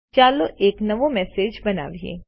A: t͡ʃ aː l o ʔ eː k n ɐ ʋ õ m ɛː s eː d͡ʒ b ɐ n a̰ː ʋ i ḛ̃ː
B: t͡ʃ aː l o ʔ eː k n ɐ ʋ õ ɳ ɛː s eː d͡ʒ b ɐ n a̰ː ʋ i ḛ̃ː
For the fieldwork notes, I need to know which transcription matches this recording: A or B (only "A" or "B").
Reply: A